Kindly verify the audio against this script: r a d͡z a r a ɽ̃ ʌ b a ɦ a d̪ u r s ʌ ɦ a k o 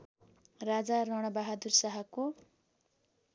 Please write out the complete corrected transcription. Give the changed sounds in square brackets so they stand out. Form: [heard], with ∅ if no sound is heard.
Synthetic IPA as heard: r a d͡z a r [ʌ] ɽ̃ ʌ b a ɦ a d̪ u r s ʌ ɦ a k o